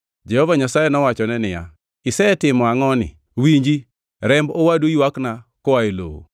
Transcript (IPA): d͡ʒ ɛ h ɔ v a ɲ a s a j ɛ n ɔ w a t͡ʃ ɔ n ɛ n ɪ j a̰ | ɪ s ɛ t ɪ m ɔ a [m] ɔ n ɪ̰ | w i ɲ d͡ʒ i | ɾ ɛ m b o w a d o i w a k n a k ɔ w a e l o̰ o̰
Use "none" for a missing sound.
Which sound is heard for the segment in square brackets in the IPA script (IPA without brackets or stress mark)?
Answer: ŋ